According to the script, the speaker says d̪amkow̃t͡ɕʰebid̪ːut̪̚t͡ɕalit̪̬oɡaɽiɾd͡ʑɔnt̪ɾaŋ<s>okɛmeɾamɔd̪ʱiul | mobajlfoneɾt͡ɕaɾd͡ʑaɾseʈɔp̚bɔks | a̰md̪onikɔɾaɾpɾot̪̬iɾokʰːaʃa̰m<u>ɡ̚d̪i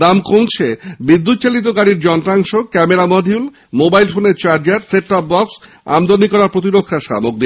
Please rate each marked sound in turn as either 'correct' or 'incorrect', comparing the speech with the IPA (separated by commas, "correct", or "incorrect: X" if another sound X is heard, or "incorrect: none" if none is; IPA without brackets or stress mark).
incorrect: ʃ, incorrect: o